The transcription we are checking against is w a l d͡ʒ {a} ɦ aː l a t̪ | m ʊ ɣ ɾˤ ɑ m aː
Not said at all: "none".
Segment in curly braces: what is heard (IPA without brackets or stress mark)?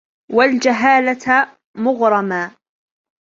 a